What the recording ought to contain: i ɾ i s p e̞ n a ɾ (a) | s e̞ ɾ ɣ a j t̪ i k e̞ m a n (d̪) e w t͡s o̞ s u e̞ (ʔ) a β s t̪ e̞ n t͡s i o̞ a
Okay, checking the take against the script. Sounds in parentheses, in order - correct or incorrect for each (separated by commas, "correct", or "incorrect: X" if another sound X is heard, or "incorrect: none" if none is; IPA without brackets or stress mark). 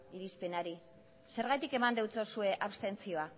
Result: incorrect: i, correct, correct